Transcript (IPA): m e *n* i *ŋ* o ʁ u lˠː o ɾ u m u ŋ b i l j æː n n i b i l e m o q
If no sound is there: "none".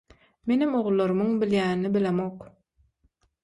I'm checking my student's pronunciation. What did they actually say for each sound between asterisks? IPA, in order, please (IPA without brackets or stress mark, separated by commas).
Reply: n, m